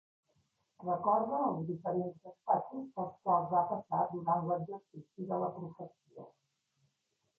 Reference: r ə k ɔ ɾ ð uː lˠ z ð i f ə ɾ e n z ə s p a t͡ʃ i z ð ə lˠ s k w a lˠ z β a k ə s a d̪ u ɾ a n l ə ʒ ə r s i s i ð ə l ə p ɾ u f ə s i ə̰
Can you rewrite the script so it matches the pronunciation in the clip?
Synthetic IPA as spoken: r ə k ɔ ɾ ð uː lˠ z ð i f ə ɾ e n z ə s p a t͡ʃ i z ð ə lˠ s k w a lˠ z β a p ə s a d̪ u ɾ a n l ə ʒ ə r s i s i ð ə l ə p ɾ u f ə s i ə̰